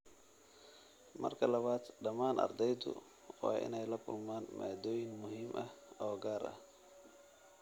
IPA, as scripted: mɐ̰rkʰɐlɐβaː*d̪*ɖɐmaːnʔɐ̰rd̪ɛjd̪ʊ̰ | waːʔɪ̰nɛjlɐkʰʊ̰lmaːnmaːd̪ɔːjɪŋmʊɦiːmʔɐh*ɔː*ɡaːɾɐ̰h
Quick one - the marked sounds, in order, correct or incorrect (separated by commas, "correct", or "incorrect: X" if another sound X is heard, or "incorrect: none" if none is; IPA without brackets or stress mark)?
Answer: correct, correct